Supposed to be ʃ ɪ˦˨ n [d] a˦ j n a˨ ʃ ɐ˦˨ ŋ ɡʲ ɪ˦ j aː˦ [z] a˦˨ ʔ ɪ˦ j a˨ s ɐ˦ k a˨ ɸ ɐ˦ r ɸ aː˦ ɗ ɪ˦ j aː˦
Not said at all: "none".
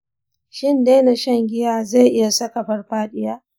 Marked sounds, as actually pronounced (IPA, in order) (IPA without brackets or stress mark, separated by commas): d, z